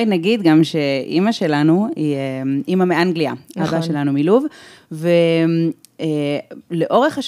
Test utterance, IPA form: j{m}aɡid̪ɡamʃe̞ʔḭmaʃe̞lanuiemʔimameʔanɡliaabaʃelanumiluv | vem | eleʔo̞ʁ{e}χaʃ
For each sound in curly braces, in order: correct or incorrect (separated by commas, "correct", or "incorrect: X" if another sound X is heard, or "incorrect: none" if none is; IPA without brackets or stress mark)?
incorrect: n, correct